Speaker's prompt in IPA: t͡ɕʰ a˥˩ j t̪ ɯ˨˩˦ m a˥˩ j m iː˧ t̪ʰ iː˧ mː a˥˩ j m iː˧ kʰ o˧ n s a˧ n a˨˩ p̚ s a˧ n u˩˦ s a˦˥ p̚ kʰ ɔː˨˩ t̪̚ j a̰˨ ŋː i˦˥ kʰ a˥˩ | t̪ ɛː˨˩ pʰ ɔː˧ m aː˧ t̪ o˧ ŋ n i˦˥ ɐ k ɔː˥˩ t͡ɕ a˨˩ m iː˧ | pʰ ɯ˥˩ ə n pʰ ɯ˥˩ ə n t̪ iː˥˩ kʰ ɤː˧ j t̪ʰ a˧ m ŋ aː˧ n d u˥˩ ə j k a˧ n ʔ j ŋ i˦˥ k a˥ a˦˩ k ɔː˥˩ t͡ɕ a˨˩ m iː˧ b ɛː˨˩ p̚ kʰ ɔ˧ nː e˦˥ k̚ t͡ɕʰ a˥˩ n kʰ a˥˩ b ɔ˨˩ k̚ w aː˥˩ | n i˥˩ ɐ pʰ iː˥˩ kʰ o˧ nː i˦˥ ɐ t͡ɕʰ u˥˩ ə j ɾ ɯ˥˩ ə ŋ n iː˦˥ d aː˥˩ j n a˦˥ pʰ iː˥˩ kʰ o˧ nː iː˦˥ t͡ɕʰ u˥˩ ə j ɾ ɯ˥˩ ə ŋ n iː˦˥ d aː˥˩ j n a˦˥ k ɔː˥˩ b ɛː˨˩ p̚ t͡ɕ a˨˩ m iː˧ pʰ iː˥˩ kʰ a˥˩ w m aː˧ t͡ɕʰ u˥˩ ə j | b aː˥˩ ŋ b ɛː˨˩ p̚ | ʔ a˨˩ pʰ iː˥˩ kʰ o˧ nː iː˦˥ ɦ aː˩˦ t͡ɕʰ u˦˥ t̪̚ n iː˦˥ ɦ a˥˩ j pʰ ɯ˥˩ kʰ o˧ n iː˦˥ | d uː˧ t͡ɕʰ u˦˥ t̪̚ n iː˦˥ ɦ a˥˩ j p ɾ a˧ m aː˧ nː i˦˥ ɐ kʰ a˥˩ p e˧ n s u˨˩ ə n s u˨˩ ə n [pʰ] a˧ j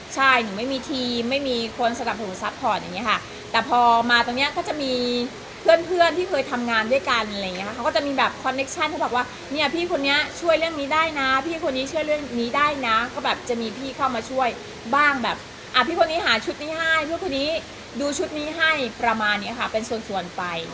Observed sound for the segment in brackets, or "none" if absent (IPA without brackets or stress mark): p